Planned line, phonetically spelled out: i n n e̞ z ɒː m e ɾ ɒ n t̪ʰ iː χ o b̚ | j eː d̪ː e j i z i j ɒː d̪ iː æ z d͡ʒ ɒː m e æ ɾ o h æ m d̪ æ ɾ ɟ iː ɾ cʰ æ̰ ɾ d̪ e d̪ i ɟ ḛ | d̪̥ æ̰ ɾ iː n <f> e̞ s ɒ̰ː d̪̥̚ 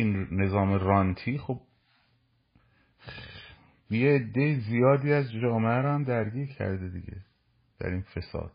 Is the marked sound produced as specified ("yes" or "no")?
yes